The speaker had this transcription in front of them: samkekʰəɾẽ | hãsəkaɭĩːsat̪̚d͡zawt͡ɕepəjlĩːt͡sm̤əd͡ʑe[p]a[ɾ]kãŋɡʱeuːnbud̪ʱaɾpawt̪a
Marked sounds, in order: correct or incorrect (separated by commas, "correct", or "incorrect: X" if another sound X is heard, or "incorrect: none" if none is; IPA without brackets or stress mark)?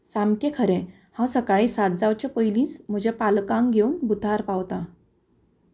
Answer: correct, incorrect: l